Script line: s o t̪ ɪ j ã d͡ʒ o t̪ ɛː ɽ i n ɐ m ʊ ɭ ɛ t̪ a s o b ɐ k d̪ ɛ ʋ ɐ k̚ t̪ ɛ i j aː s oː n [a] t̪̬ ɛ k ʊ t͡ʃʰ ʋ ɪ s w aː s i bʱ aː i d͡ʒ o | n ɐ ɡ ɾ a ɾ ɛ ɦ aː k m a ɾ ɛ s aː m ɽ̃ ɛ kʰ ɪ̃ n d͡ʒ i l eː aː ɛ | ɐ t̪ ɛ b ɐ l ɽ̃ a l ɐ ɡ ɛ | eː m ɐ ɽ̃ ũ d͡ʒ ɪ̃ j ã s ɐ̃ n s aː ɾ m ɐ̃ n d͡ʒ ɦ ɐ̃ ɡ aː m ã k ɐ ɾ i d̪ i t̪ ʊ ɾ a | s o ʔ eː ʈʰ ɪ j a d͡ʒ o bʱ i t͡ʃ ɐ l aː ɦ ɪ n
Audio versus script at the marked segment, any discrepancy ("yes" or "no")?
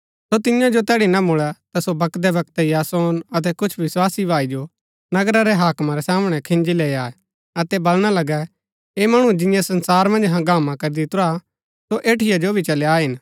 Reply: yes